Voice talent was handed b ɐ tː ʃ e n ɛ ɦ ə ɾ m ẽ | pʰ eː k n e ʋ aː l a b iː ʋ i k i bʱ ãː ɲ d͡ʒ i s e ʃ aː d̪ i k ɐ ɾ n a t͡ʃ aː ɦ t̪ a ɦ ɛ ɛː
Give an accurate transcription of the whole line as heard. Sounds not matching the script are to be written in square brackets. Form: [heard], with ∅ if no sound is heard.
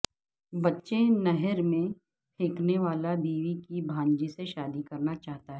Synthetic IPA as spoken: b ɐ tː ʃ e n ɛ ɦ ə ɾ m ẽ | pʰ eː k n e ʋ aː l a b iː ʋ i k i bʱ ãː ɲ d͡ʒ i s e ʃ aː d̪ i k ɐ ɾ n a t͡ʃ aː ɦ t̪ a ɦ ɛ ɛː